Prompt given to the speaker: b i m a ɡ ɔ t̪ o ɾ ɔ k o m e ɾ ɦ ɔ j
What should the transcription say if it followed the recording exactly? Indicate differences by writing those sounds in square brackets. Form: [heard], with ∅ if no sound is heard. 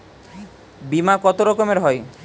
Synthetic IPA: b i m a [k] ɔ t̪ o ɾ ɔ k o m e ɾ ɦ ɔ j

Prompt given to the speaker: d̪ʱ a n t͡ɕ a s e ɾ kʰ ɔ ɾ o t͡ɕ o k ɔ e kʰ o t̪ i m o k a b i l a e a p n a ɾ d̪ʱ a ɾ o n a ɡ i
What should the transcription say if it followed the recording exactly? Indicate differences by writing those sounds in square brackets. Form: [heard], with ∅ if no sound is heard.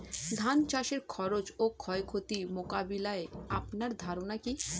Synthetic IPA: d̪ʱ a n t͡ɕ a [ʃ] e ɾ kʰ ɔ ɾ o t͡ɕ o [kʰ] ɔ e kʰ o t̪ i m o k a b i l a e a p n a ɾ d̪ʱ a ɾ o n a [k] i

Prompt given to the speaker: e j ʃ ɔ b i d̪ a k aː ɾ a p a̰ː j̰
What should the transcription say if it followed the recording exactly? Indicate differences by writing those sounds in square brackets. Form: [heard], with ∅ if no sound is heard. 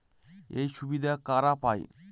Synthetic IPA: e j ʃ [u] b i d̪ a k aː ɾ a p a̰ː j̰

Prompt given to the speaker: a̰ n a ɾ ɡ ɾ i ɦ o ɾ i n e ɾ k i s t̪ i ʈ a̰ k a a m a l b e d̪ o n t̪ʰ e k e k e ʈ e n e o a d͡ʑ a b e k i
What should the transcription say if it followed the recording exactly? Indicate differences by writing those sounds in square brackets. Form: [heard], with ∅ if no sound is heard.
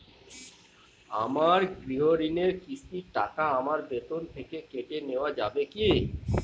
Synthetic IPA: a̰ [m] a ɾ ɡ ɾ i ɦ o ɾ i n e ɾ k i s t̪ i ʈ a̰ k a a m a [ɾ] b e [t̪] o n t̪ʰ e k e k e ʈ e n e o a d͡ʑ a b e k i

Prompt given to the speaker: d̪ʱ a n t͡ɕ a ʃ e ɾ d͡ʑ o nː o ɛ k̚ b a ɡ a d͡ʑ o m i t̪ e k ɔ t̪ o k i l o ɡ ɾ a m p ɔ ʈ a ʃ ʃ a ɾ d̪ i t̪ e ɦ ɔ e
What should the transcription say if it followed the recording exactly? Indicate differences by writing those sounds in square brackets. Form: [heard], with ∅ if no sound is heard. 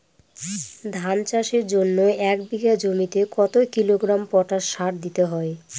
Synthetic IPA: d̪ʱ a n t͡ɕ a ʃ e ɾ d͡ʑ o nː o ɛ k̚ b [i] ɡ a d͡ʑ o m i t̪ e k ɔ t̪ o k i l o ɡ ɾ a m p ɔ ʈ a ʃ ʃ a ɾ d̪ i t̪ e ɦ ɔ e

